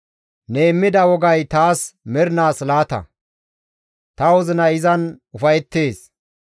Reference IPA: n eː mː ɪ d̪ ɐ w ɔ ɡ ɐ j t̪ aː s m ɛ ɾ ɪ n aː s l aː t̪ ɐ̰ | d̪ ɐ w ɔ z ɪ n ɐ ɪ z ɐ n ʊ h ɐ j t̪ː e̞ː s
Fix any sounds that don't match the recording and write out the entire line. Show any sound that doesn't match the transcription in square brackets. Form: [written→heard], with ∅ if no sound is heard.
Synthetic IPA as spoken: n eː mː ɪ d̪ ɐ w ɔ ɡ ɐ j t̪ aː s m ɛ ɾ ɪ n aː s l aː t̪ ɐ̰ | [d̪→t̪] ɐ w ɔ z ɪ n ɐ ɪ z ɐ n ʊ [h→f] ɐ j t̪ː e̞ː s